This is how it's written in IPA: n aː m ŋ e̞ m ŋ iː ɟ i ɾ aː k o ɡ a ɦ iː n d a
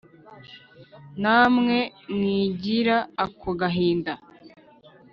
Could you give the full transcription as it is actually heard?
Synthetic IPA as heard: n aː m ŋ e̞ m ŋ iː ɟ i ɾ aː k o ɡ a ɦ iː n d a